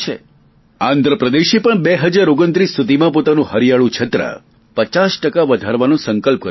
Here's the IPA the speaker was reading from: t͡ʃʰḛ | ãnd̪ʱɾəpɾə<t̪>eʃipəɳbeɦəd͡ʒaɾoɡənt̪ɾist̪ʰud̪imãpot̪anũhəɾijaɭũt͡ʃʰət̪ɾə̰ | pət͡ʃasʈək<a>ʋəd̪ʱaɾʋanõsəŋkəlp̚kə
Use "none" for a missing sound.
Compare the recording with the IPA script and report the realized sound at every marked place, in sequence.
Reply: d̪, a

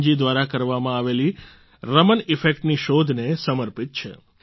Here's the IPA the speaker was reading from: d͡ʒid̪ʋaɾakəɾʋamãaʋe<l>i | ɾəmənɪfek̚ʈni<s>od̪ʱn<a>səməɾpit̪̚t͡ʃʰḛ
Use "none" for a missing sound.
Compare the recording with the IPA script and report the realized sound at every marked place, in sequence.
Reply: l, ʃ, e

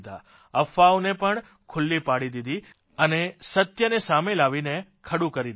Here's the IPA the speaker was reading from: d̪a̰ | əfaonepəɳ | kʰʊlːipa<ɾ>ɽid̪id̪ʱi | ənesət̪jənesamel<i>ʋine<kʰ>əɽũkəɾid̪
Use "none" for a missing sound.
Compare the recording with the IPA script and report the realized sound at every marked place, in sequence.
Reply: none, a, kʰ

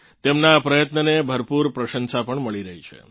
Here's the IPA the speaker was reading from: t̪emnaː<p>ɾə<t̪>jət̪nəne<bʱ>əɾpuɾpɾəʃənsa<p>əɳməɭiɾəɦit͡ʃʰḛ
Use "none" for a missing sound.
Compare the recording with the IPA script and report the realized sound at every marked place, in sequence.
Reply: p, none, bʱ, p

